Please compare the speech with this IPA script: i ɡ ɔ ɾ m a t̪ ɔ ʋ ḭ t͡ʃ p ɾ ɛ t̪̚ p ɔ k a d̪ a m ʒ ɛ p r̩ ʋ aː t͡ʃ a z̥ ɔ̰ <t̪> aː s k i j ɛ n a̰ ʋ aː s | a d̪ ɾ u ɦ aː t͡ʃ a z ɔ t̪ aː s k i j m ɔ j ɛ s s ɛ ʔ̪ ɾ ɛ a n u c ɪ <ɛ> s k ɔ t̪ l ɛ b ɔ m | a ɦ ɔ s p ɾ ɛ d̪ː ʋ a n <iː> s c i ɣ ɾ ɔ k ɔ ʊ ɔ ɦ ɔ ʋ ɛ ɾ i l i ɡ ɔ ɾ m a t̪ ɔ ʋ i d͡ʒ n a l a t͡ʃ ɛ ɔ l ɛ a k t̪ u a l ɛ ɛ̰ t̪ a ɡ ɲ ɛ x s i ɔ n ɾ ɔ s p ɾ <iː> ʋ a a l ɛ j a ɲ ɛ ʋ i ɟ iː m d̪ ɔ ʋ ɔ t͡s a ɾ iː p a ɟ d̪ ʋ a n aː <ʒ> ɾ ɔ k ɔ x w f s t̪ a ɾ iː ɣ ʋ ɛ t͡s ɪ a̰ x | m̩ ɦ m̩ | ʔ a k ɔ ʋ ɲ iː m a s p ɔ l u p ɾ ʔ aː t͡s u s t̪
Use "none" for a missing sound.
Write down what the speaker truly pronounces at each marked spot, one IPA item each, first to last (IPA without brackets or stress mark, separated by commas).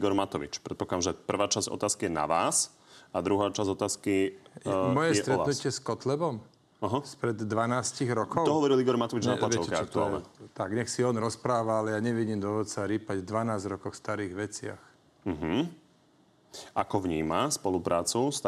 t̪, ɛ, aː, aː, z